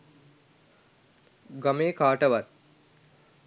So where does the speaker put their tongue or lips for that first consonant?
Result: velum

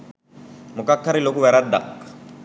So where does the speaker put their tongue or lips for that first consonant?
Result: lips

